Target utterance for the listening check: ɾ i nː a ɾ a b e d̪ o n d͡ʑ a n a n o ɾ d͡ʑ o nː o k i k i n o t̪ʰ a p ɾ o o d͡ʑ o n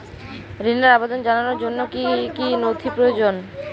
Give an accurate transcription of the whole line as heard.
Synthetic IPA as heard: ɾ i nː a ɾ a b e d̪ o n d͡ʑ a n a n o ɾ d͡ʑ o nː o k i k i n o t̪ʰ i p ɾ o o d͡ʑ o n